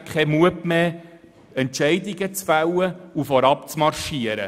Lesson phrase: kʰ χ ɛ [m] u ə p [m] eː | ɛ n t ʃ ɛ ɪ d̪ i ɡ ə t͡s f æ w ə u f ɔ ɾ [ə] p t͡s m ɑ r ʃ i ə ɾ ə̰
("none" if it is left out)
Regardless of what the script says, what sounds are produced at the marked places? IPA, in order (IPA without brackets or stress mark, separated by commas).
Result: m, m, ɑ